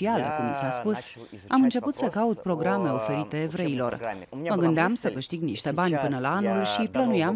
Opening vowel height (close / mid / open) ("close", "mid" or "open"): close